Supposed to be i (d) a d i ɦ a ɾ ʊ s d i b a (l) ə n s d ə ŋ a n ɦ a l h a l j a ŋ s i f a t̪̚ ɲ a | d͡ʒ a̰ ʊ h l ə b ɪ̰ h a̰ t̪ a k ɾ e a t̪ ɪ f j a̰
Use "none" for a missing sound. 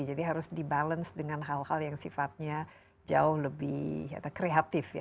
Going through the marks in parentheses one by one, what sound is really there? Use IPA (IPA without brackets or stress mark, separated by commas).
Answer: d͡ʒ, l